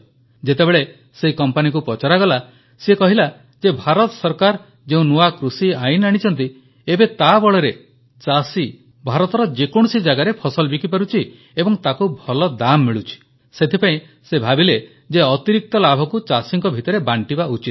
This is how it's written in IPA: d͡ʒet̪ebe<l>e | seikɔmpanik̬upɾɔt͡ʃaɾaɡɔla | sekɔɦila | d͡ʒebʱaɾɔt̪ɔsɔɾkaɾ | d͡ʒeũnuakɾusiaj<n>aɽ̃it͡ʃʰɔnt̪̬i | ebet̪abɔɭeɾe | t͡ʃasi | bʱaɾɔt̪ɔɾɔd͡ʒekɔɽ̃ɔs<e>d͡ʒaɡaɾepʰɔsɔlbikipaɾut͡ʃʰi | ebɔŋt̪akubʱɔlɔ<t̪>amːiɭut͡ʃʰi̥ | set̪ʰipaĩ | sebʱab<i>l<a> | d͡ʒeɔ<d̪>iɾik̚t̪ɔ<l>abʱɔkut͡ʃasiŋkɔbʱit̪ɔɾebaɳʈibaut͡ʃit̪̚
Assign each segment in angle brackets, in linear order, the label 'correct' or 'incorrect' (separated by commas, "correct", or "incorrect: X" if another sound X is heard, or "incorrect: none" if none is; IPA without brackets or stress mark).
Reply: incorrect: ɭ, correct, incorrect: i, incorrect: d̪, correct, incorrect: e, incorrect: t̪, correct